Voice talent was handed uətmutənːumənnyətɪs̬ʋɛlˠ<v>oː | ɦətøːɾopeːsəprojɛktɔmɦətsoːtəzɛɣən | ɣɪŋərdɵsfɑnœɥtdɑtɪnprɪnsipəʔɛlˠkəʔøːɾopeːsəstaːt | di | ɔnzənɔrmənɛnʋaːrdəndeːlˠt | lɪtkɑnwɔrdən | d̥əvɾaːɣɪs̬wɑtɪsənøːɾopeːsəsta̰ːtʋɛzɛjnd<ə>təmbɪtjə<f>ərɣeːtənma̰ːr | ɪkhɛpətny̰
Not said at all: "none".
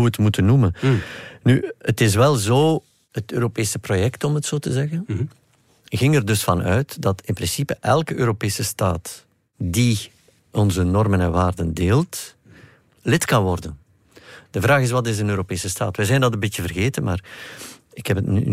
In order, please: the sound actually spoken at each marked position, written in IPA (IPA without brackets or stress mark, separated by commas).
z, ɑ, v